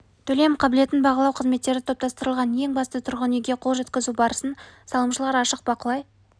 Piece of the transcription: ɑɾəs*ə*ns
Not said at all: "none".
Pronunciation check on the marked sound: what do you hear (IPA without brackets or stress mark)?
ə